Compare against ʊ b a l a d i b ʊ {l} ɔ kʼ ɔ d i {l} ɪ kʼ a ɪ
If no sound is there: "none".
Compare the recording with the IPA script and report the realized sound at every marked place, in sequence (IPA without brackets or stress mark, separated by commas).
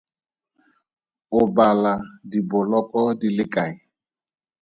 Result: l, l